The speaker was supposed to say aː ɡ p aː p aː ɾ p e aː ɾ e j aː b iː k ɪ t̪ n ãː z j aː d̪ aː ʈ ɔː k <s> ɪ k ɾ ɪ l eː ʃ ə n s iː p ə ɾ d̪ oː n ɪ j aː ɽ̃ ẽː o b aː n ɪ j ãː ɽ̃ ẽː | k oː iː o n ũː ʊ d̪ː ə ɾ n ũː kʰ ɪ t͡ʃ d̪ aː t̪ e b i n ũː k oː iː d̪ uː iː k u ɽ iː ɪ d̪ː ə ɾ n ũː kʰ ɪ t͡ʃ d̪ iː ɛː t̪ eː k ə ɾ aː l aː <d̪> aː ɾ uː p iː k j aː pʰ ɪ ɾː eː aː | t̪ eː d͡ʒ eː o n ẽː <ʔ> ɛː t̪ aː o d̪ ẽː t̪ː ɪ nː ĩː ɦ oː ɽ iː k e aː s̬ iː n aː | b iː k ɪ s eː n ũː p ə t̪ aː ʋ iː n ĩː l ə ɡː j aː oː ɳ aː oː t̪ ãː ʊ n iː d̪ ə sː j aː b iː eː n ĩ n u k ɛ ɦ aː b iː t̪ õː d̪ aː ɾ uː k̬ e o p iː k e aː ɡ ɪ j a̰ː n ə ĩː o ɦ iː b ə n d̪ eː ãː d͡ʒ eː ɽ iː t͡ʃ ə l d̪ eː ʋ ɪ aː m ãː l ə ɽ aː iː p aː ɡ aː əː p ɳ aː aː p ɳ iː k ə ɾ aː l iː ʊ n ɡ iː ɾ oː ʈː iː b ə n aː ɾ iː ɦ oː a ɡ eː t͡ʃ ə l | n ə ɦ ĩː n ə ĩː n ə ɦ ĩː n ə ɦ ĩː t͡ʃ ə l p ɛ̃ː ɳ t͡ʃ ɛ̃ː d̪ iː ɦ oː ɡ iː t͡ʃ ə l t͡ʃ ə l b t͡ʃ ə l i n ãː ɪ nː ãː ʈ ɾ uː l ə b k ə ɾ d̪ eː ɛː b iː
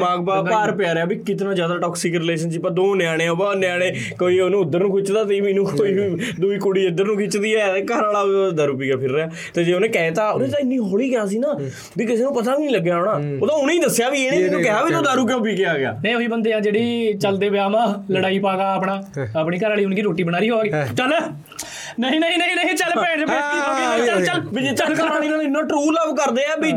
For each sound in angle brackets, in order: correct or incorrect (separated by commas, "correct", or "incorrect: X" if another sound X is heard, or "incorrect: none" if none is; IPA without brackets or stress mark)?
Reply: correct, correct, incorrect: k